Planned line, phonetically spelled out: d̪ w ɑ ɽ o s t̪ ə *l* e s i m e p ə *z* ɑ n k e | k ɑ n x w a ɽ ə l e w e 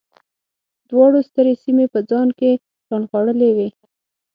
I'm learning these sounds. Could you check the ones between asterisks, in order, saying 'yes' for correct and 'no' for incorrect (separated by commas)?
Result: no, no